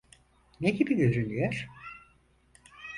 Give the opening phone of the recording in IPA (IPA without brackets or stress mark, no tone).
n